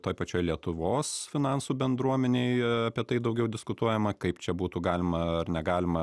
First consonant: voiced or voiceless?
voiceless